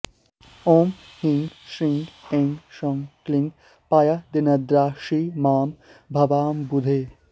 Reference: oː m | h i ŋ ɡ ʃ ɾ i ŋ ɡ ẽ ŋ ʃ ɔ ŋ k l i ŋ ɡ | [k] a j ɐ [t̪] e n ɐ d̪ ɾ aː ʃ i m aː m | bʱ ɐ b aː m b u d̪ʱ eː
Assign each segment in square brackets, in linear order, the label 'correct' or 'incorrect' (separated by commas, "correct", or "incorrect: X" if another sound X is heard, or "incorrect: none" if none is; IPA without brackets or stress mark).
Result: incorrect: p, incorrect: d̪